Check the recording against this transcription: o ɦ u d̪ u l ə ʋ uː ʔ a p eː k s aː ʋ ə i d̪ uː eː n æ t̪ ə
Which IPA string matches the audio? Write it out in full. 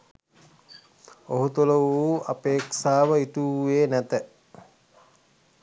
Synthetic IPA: o ɦ u t̪ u l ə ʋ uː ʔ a p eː k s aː ʋ ə i t̪ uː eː n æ t̪ ə